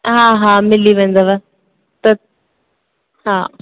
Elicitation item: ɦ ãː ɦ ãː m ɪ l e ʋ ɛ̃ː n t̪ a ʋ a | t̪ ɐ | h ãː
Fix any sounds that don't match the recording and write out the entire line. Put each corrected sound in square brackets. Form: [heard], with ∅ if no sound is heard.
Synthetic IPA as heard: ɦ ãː ɦ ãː m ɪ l [i] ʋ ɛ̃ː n [d̪] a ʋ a | t̪ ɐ | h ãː